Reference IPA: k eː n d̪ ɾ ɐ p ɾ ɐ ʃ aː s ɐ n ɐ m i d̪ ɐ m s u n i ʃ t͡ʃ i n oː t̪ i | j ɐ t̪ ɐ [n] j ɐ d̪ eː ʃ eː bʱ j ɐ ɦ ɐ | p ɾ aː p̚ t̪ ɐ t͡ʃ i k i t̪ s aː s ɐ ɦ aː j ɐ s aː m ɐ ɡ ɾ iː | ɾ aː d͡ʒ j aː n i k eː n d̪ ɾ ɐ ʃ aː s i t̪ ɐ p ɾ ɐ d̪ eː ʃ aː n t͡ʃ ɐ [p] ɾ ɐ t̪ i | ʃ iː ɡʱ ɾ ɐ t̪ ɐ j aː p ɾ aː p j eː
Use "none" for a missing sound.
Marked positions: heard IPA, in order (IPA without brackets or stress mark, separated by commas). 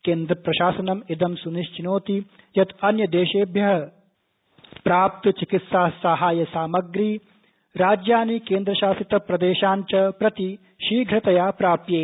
n, p